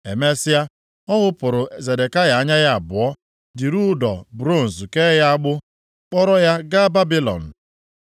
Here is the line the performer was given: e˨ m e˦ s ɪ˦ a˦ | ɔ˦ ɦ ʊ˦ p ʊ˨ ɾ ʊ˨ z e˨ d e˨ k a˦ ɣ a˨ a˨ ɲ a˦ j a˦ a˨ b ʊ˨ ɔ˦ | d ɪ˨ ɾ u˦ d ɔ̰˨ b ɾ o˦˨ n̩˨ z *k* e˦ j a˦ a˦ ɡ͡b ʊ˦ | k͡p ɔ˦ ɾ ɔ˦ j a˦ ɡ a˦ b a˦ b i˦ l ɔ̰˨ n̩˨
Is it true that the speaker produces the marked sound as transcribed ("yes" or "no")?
yes